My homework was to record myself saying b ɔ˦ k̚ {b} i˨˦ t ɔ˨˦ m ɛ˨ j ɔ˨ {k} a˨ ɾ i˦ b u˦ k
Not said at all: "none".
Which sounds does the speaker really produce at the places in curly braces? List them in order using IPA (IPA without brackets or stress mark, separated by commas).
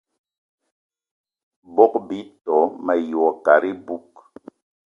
b, k